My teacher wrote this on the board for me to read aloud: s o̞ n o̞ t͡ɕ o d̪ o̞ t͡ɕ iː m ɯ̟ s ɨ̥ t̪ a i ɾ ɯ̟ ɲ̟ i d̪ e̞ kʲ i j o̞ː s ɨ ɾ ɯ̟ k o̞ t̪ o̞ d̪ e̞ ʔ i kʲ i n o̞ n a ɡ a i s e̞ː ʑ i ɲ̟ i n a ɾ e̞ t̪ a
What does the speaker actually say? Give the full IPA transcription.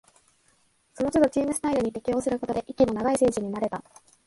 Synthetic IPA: s o̞ n o̞ t͡ɕ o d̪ o̞ t͡ɕ iː m ɯ̟ s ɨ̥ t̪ a i ɾ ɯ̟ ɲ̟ i t̪ e̞ kʲ i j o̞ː s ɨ ɾ ɯ̟ k o̞ t̪ o̞ d̪ e̞ ʔ i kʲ i n o̞ n a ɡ a i s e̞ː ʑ i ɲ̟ i n a ɾ e̞ t̪ a